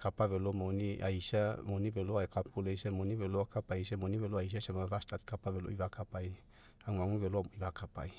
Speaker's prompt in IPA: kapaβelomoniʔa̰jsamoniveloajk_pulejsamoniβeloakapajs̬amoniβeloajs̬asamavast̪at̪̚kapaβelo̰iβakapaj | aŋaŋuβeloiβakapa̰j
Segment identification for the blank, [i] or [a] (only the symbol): a